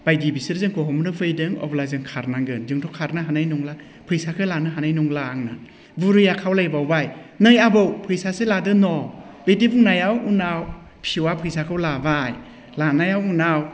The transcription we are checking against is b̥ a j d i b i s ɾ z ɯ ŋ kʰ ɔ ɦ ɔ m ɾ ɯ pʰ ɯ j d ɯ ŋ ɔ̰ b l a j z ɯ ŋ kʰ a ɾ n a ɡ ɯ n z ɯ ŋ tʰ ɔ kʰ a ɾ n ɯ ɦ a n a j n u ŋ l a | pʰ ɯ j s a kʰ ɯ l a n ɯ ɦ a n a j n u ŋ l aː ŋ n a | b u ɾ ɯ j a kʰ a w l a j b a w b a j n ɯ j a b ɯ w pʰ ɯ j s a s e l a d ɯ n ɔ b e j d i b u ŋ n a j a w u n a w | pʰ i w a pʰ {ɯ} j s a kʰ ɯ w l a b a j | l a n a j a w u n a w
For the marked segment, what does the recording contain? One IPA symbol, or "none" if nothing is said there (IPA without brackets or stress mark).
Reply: ɯ